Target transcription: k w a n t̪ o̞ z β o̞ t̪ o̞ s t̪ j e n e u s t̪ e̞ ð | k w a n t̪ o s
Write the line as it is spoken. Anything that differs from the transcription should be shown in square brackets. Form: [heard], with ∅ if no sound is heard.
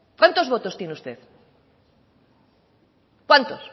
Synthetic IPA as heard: k w a n t̪ o̞ z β o̞ t̪ o̞ s t̪ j e n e u s t̪ e̞ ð | k w a n t̪ o s